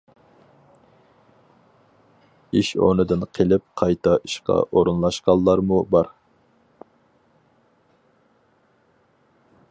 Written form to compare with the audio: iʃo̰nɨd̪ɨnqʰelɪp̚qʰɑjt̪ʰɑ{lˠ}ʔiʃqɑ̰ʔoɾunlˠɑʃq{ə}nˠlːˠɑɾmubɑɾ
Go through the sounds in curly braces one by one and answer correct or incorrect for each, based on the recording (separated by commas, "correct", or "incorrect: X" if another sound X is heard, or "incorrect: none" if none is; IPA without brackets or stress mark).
incorrect: none, incorrect: ɑ